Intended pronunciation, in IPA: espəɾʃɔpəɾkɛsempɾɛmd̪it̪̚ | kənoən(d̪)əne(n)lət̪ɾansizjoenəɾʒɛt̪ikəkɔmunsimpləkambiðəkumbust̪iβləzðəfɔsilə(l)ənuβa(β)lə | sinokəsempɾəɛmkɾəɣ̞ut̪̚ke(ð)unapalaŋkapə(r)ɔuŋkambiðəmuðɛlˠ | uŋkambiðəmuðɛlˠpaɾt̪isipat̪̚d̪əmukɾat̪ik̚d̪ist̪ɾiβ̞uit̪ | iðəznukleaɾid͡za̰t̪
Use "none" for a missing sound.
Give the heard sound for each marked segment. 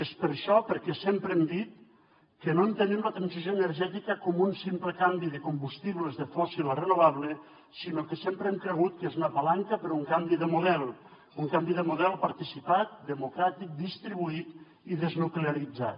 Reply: t̪, m, r, β, z, ɾ

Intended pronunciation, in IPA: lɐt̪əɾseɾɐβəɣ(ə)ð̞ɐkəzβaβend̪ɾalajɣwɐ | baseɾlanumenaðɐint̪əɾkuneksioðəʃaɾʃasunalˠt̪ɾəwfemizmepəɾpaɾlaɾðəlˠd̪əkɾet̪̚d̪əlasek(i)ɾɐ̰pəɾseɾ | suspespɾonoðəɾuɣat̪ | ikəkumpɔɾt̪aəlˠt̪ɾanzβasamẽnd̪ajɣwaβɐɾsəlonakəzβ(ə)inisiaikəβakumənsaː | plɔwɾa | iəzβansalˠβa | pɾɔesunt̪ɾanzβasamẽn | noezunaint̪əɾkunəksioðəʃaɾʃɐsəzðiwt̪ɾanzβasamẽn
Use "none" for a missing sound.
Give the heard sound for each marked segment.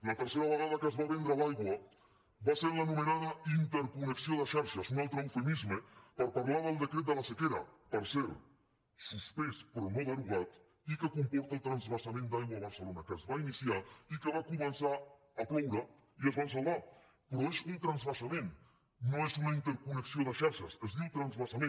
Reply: a, e, a

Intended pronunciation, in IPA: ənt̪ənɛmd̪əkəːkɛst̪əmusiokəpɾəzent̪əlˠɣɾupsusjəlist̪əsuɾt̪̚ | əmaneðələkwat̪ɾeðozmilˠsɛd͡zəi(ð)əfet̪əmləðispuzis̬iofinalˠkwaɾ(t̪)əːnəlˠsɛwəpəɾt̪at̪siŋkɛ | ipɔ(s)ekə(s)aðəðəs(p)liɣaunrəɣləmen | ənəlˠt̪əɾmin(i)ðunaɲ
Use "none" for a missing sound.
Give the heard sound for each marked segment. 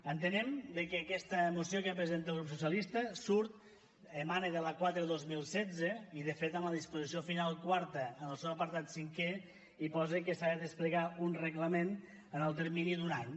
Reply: ð, t̪, z, s, p, i

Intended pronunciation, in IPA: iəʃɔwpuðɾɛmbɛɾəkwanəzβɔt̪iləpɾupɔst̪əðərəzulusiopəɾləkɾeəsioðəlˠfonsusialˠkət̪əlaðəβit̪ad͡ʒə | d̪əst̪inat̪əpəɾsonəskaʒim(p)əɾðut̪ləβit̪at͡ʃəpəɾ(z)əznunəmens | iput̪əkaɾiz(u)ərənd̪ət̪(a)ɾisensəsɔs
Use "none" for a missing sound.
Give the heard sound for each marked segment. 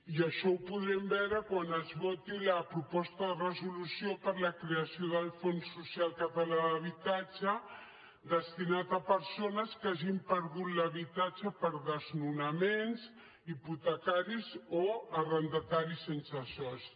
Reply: p, ð, o, a

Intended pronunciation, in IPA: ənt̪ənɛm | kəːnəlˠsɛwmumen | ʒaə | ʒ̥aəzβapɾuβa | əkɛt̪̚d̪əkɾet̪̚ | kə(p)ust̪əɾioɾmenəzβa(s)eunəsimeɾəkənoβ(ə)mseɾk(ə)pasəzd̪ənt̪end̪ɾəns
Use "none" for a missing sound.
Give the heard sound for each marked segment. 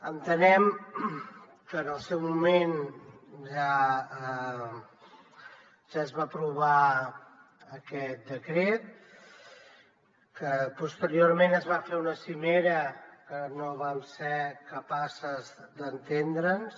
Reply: p, f, a, ə

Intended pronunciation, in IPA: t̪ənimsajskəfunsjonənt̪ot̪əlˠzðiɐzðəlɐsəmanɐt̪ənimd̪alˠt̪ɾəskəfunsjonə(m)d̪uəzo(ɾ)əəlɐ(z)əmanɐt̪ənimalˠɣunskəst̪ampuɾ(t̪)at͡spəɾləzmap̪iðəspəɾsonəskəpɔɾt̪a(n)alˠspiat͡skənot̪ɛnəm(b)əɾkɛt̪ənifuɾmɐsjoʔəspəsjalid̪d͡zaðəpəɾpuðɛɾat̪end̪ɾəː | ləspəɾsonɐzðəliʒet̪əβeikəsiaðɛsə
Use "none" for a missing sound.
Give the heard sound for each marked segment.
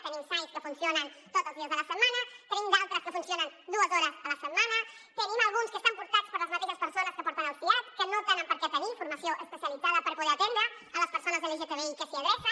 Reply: n, ɾ, s, t̪, n, p

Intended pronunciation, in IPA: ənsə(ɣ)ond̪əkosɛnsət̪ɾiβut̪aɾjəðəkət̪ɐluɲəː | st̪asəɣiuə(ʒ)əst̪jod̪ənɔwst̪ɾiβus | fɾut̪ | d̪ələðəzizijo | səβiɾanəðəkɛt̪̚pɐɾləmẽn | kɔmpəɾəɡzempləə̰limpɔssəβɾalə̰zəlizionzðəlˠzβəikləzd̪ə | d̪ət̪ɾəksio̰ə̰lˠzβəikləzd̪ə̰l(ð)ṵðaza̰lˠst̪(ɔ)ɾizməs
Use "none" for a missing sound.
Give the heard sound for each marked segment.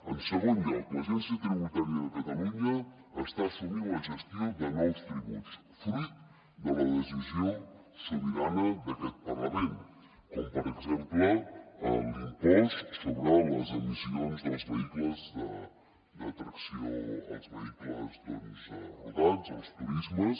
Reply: ɣ, ʒ, z, u

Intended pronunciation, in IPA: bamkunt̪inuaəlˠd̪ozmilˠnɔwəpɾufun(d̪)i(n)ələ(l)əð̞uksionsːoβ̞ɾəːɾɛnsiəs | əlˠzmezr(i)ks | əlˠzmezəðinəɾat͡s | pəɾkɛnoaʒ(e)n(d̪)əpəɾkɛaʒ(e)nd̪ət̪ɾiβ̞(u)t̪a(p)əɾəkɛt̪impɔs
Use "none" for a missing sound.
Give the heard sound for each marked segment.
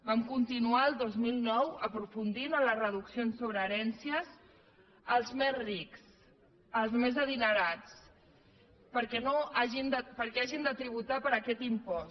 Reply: d̪, n, r, i, i, d̪, i, u, p

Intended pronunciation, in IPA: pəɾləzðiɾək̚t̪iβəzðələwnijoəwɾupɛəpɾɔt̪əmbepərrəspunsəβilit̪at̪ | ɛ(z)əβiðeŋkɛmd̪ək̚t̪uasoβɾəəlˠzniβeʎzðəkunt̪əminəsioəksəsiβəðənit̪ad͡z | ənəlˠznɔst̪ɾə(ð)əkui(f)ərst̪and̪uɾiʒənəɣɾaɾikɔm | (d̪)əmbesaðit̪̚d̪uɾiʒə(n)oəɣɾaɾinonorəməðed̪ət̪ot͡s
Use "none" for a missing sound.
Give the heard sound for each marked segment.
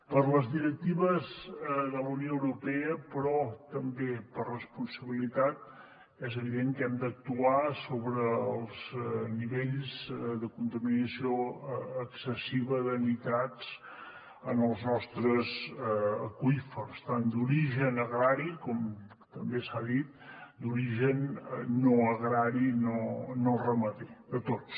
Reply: z, z, f, t̪, nː

